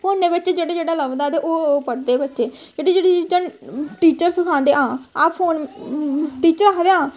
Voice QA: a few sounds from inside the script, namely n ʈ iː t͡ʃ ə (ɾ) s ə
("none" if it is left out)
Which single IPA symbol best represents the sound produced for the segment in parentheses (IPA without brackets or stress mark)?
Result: ɾ